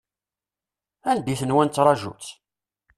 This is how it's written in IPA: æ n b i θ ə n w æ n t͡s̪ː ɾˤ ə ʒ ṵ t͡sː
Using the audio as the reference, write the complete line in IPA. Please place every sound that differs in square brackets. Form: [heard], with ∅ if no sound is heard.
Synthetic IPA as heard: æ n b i θ ə n w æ n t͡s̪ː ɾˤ [ɑ] ʒ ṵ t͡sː

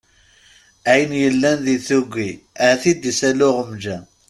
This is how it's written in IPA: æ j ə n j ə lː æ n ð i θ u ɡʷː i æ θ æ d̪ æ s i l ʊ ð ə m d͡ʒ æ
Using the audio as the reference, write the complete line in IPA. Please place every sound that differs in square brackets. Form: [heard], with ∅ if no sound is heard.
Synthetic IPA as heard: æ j ə n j ə lː æ n ð i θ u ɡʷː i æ θ [i] d̪ [i] s [æ] l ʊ [ʁ] ə m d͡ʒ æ

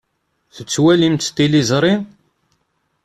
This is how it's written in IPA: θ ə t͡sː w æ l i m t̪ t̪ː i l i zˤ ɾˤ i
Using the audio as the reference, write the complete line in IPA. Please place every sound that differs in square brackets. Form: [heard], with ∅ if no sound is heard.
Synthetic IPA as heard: θ ə t͡sː w æ l i m t̪ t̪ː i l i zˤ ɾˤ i

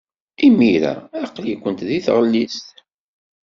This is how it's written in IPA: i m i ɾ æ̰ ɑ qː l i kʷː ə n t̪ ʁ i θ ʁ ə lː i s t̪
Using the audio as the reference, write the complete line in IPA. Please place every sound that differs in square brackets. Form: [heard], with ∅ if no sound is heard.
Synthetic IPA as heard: i m i ɾ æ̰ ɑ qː l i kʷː ə n t̪ [ð] i θ ʁ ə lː i s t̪

